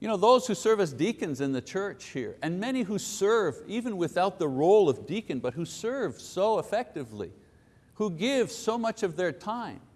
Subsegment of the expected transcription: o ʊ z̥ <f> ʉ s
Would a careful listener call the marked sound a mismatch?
yes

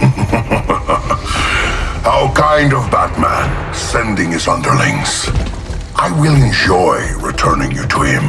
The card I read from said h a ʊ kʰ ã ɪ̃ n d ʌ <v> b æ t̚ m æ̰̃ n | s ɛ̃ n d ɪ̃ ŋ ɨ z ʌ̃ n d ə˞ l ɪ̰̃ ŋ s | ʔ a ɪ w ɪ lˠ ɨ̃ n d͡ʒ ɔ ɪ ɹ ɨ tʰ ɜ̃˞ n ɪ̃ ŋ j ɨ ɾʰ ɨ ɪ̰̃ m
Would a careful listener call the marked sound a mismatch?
no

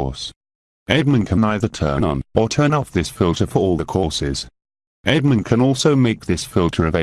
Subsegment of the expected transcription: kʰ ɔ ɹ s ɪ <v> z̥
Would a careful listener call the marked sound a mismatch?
yes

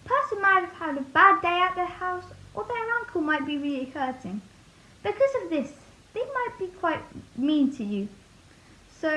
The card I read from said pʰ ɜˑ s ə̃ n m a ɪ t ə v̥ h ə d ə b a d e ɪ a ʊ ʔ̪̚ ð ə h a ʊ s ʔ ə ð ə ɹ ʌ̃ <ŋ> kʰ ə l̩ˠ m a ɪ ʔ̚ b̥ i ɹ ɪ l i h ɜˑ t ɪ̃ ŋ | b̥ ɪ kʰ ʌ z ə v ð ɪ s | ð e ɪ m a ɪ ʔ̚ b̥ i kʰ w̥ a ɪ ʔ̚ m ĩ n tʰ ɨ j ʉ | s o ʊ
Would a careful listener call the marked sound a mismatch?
no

